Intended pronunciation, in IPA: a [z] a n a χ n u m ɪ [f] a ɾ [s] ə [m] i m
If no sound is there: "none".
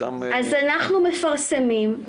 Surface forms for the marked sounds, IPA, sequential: z, f, s, m

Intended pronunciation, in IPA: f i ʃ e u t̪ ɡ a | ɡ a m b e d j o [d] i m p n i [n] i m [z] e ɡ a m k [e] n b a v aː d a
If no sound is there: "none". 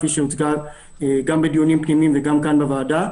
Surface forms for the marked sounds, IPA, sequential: n, m, v, a

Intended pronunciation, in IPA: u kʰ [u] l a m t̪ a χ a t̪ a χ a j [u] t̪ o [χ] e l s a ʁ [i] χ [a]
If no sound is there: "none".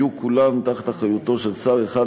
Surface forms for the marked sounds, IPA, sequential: u, u, ʃ, e, a

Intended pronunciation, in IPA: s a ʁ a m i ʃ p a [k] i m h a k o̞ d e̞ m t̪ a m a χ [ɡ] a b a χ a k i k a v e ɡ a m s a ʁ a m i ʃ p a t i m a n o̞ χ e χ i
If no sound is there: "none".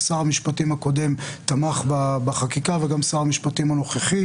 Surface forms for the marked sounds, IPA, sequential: t, b

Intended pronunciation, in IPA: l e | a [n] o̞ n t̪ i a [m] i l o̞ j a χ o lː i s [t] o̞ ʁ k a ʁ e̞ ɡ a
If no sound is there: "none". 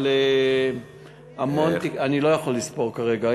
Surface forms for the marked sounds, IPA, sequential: m, n, p

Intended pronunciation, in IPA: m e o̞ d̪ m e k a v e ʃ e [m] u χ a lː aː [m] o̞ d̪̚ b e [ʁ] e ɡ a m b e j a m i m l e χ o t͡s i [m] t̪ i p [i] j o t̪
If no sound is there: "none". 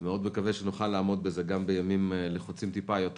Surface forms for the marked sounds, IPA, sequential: n, m, z, m, a

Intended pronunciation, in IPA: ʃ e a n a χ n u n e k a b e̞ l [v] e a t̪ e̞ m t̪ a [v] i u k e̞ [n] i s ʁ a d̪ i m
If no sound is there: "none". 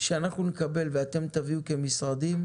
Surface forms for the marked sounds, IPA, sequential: v, v, m

